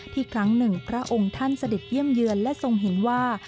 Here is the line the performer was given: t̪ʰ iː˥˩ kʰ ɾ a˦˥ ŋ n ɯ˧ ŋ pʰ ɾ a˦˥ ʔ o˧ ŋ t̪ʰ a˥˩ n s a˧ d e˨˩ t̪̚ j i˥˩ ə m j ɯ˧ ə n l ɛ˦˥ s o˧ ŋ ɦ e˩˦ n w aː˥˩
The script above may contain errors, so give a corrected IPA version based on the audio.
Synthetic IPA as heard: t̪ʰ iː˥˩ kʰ ɾ a˦˥ ŋ n ɯ˨˩ ŋ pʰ ɾ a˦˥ ʔ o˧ ŋ t̪ʰ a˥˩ n s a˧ d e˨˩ t̪̚ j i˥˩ ə m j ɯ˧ ə n l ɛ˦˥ s o˧ ŋ ɦ e˩˦ n w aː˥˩